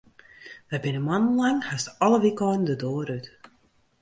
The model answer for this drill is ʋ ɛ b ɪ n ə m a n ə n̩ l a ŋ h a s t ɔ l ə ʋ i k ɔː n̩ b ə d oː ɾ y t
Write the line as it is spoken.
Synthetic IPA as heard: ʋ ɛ b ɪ n ə m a n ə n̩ l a ŋ h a s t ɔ l ə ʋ i k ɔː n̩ d ə d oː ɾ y t